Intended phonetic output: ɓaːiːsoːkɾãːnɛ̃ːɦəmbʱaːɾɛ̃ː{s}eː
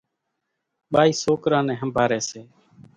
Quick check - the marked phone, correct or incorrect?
correct